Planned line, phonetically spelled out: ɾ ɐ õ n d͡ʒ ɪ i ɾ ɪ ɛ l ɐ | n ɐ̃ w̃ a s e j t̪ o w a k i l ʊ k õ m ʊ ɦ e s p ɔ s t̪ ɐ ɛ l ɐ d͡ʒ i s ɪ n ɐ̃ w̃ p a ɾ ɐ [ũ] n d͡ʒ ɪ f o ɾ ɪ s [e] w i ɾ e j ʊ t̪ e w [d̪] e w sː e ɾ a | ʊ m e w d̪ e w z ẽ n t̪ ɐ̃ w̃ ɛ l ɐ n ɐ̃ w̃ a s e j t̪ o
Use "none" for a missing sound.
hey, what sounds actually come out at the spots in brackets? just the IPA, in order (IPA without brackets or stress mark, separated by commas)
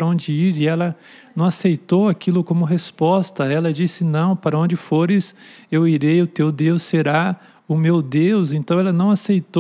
õ, e, d̪